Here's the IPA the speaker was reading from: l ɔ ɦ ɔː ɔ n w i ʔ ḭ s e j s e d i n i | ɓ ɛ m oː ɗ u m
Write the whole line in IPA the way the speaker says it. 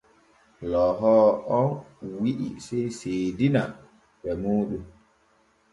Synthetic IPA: l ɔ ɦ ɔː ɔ n w i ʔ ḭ s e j s e d i n a | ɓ ɛ m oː ɗ u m